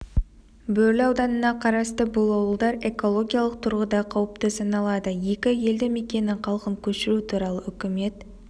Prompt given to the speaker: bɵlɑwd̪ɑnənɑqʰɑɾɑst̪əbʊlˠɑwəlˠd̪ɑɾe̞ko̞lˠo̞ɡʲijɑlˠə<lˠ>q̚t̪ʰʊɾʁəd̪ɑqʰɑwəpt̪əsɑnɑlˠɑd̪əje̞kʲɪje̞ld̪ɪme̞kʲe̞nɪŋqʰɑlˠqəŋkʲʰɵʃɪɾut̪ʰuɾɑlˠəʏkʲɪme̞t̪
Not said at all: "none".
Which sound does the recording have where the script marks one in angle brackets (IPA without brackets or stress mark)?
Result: none